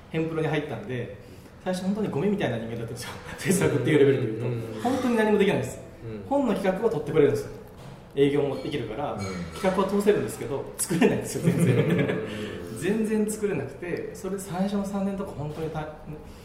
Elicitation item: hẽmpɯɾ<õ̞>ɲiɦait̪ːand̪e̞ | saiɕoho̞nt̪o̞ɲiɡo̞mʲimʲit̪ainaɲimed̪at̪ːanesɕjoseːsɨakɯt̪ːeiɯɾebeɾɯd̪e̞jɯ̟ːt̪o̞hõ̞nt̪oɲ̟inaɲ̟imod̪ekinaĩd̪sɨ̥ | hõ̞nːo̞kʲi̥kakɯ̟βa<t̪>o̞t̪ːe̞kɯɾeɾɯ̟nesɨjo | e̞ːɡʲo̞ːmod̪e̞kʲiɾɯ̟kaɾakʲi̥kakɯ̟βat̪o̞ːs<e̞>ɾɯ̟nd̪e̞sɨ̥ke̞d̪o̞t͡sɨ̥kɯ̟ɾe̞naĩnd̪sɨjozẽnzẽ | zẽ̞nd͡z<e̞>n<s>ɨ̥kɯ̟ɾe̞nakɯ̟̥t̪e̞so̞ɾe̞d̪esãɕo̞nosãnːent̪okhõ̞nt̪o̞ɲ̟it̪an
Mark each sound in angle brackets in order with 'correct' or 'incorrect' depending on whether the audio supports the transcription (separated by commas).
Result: incorrect, correct, correct, incorrect, incorrect